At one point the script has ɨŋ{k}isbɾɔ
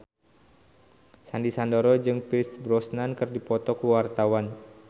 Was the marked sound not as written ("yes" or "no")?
yes